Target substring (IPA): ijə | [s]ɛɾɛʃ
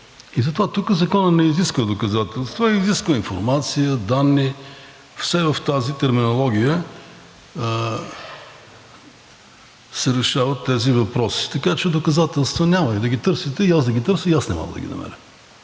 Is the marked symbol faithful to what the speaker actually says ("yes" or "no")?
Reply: yes